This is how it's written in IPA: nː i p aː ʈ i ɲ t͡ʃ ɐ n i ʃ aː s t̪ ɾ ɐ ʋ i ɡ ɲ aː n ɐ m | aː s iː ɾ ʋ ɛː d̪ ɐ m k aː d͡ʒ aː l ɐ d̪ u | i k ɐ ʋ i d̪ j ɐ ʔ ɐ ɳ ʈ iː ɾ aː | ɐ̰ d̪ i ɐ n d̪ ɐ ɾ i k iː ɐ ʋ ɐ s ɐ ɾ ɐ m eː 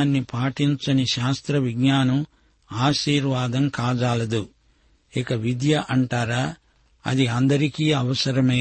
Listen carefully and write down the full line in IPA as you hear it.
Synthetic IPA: nː i p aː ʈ i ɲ t͡ʃ ɐ n i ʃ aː s t̪ ɾ ɐ ʋ i ɡ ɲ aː n ɐ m | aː ʃ iː ɾ ʋ aː d̪ ɐ m k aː d͡ʒ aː l ɐ d̪ u | i k ɐ ʋ i d̪ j ɐ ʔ ɐ ɳ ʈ aː ɾ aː | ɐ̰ d̪ i ɐ n d̪ ɐ ɾ i k iː ɐ ʋ ɐ s ɐ ɾ ɐ m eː